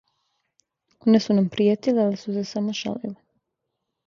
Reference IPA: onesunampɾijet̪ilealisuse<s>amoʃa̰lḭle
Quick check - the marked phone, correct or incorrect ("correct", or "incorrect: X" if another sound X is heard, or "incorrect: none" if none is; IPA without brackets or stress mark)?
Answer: correct